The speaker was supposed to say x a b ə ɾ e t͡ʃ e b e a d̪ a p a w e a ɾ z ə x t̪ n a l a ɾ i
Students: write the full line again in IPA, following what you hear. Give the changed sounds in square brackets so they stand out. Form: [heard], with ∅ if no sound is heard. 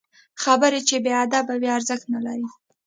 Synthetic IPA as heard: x a b ə ɾ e t͡ʃ e b e a d̪ a [b] a w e a ɾ z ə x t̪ n a l a ɾ i